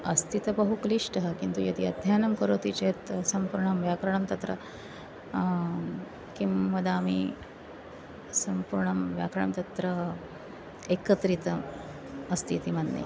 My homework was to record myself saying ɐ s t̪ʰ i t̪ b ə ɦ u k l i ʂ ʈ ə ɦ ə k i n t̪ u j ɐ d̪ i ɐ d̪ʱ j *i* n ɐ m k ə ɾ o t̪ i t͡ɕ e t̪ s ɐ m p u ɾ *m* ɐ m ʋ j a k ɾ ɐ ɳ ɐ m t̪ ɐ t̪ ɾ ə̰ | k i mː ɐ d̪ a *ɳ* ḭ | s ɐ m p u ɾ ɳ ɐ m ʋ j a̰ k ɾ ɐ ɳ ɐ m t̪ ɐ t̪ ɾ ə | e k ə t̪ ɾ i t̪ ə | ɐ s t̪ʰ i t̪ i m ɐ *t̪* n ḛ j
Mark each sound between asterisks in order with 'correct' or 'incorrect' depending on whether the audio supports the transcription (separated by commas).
incorrect, incorrect, incorrect, incorrect